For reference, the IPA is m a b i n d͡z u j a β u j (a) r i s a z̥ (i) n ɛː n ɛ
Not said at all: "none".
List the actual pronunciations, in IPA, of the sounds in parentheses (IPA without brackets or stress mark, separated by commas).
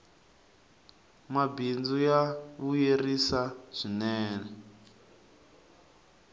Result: e, i